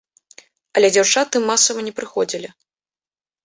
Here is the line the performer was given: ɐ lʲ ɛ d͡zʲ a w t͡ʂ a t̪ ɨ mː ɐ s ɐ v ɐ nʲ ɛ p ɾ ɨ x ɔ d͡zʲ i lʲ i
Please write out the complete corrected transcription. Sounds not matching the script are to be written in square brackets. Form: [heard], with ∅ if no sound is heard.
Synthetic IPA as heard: ɐ lʲ ɛ d͡zʲ a w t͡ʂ a t̪ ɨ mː [a] s ɐ v ɐ nʲ ɛ p ɾ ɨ x ɔ d͡zʲ i lʲ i